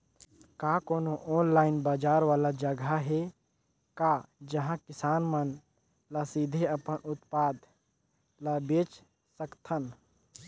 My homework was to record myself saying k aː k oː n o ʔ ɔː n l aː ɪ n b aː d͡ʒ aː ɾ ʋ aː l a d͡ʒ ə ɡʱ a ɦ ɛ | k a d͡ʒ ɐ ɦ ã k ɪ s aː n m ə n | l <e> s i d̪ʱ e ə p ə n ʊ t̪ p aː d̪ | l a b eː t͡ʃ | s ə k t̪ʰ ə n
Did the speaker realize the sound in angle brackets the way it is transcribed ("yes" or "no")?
no